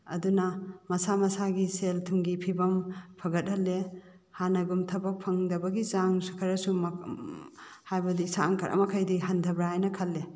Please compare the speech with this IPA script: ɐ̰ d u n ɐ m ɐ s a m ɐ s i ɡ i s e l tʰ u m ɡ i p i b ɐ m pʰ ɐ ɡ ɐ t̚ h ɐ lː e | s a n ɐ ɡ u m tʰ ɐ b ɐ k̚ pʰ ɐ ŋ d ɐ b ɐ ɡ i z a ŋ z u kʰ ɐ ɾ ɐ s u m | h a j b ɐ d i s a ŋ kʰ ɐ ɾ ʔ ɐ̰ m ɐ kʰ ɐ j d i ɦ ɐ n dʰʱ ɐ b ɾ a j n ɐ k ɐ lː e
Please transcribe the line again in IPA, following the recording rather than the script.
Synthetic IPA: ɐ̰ d u n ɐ m ɐ s a m ɐ s a ɡ i s e l tʰ u ŋ ɡ i pʰ i b ɐ m pʰ ɐ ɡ ɐ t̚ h ɐ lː e | h a n ɐ ɡ u m tʰ ɐ b ɐ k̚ pʰ ɐ ŋ d ɐ b ɐ ɡ i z a ŋ s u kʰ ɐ ɾ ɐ s u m | h a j b ɐ d i s a ŋ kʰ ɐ ɾ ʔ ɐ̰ m ɐ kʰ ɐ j d i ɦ ɐ n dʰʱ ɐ b ɾ a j n ɐ kʰ ɐ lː e